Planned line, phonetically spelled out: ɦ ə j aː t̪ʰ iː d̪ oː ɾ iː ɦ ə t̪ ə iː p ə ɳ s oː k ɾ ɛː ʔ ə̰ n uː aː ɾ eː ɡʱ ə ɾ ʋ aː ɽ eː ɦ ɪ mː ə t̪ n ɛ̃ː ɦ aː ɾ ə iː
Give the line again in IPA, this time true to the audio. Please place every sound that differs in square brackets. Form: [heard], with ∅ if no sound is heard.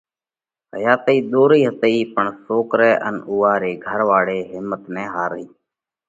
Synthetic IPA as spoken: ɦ ə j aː [t̪] iː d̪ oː ɾ iː ɦ ə t̪ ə iː p ə ɳ s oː k ɾ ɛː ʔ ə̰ n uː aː ɾ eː ɡʱ ə ɾ ʋ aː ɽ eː ɦ ɪ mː ə t̪ n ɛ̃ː ɦ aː ɾ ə iː